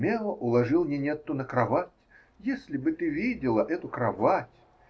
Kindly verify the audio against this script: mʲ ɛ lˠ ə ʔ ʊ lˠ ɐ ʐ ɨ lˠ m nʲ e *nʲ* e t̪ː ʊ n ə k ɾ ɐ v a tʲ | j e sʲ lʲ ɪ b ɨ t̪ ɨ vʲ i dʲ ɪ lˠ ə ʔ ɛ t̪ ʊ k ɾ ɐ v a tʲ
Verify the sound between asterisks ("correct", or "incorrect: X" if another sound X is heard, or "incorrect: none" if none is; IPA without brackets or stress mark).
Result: correct